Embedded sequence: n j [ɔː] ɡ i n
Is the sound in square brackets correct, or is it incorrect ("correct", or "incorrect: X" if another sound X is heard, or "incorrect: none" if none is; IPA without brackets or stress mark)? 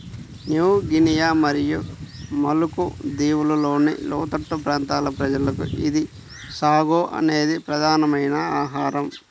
incorrect: uː